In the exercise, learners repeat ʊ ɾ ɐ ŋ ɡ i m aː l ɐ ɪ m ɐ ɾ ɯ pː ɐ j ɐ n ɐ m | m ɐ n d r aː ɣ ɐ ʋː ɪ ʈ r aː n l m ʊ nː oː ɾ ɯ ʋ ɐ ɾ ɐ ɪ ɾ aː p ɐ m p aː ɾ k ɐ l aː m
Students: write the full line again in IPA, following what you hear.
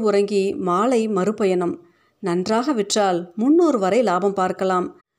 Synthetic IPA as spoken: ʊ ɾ ɐ ŋ ɡ i m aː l ɐ ɪ m ɐ ɾ ɯ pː ɐ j ɐ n ɐ m | n ɐ n d r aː ɣ ɐ ʋ ɪ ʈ r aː l m ʊ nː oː ɾ ɯ ʋ ɐ ɾ ɐ ɪ l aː b ɐ m p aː ɾ k ɐ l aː m